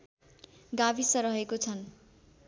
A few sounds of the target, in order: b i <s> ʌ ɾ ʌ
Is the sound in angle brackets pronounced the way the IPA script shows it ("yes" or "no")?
yes